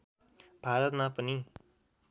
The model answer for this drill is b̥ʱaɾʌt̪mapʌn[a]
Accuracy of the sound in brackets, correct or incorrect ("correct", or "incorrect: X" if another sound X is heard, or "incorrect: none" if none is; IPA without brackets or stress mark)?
incorrect: i